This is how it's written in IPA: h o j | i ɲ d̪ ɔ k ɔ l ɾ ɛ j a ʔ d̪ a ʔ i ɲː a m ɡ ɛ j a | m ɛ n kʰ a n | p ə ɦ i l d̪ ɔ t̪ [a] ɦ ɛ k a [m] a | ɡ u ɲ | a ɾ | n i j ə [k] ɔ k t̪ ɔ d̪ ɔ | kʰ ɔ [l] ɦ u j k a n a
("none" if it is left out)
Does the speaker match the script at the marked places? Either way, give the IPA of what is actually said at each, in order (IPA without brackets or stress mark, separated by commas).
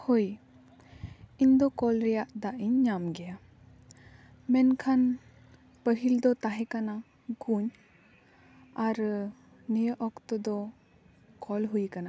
a, n, ʔ, l